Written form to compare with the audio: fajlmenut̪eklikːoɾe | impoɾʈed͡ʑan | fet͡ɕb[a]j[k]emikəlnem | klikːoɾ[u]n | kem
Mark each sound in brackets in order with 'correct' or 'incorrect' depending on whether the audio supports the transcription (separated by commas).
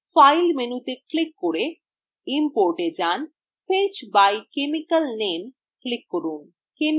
correct, correct, correct